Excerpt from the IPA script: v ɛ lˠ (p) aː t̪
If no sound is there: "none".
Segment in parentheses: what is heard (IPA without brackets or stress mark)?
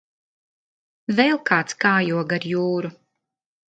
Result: k